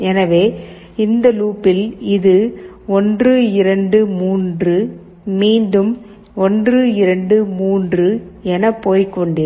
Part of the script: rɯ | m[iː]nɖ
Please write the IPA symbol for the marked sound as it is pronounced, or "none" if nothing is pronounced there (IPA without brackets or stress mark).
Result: iː